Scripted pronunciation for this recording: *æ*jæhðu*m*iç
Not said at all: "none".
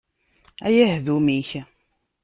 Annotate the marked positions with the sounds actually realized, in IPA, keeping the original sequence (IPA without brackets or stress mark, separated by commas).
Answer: æ, m